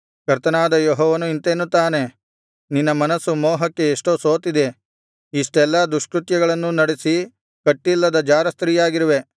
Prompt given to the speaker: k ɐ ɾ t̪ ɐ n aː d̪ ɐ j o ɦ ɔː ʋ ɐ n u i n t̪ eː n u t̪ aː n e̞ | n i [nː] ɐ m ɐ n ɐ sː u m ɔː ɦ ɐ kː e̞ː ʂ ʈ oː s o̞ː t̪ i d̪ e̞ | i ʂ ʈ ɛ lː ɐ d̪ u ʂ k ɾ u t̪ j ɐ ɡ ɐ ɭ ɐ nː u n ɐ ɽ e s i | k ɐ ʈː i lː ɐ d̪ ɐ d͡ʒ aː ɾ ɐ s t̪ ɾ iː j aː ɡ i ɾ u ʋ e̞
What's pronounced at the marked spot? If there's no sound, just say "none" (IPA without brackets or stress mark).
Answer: nː